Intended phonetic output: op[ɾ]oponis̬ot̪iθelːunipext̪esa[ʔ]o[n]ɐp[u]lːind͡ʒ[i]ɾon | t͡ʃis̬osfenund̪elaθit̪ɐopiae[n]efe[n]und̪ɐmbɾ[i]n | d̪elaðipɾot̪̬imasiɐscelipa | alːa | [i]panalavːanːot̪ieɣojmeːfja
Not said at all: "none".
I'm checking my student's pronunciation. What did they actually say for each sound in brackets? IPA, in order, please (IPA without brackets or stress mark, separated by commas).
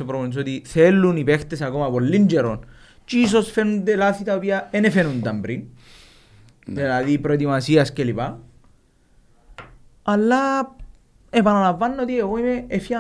ɾ, k, m, o, e, n, n, i, e